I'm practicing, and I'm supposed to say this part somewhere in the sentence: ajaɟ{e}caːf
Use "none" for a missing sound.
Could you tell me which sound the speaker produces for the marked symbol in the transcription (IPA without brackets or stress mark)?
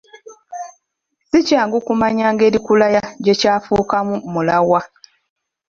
e